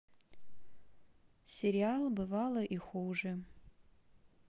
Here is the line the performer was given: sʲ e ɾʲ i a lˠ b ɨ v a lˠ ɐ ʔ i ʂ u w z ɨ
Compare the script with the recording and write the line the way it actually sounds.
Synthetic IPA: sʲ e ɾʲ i a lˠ b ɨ v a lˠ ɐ ʔ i x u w ʐ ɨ